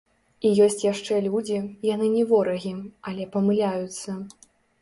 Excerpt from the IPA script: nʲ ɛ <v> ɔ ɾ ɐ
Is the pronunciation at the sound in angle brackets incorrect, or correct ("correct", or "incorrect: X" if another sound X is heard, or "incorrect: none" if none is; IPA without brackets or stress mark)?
correct